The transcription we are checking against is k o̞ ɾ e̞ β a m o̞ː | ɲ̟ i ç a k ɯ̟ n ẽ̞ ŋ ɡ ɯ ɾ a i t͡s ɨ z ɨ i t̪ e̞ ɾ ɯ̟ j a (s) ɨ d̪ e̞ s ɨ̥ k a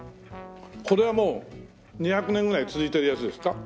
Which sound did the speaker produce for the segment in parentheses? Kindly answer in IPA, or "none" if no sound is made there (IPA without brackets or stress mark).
t͡s